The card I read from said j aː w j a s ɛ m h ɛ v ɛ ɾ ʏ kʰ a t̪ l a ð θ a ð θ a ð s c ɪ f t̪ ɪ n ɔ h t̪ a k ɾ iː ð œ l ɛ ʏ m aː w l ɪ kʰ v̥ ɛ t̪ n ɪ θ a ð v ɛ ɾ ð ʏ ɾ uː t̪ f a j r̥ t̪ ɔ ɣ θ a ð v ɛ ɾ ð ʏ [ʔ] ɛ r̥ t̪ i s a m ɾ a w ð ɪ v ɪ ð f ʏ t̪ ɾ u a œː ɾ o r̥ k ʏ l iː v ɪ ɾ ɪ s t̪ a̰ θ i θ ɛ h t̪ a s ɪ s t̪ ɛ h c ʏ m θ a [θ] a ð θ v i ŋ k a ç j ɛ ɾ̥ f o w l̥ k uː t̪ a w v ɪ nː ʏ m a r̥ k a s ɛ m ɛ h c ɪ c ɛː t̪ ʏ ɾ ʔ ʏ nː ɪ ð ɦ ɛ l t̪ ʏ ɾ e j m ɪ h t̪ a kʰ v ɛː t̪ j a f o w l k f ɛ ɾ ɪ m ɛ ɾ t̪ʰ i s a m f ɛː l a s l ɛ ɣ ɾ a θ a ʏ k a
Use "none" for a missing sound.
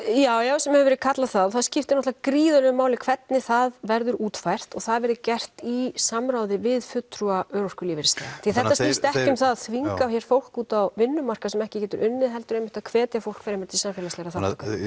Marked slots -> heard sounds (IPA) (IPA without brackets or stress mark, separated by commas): c, ð